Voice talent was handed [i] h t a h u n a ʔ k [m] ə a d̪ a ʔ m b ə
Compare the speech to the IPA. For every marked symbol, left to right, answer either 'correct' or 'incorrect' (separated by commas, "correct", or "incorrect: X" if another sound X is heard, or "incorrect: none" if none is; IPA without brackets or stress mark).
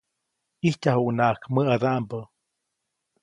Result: correct, correct